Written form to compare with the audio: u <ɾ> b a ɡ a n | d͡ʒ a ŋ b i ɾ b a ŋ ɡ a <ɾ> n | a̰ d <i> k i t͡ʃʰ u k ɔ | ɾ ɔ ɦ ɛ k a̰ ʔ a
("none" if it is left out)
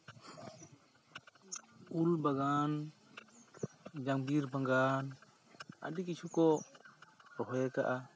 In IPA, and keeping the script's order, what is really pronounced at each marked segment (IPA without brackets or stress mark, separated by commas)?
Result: l, none, i